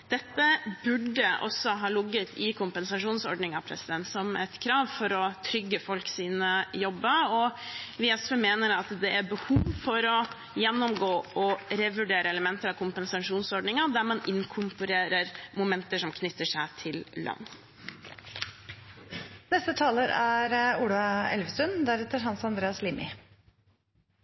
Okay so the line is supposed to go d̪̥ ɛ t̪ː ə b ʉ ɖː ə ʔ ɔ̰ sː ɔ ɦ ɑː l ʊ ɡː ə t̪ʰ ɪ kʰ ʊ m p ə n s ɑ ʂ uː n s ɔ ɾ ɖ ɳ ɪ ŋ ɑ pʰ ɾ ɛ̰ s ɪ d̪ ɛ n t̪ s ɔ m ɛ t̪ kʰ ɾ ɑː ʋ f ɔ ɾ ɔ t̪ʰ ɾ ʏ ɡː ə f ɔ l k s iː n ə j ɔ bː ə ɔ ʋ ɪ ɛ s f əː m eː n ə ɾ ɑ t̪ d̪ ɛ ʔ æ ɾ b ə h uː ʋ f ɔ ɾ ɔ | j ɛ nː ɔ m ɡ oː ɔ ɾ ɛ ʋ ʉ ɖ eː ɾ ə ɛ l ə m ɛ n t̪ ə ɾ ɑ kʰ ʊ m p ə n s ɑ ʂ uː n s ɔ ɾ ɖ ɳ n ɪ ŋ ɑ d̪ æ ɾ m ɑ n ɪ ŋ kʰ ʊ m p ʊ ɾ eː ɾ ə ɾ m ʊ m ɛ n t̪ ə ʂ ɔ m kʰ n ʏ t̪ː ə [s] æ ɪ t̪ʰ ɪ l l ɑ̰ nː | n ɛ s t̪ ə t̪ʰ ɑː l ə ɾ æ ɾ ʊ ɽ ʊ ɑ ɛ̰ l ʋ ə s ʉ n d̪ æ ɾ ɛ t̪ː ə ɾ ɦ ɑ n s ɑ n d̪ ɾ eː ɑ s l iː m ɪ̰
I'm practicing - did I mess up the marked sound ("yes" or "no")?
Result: yes